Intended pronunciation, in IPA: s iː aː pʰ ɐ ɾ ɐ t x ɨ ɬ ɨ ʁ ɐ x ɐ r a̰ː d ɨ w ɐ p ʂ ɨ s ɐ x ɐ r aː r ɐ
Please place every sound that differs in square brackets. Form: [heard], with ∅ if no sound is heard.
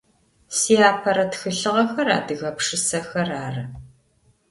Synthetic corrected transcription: s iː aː pʰ ɐ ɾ ɐ t x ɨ ɬ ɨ ʁ ɐ x ɐ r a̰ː d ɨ [ɣ] ɐ p ʂ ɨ s ɐ x ɐ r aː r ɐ